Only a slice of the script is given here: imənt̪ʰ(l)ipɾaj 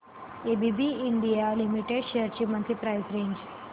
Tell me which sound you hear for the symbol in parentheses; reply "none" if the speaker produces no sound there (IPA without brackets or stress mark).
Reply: ɾ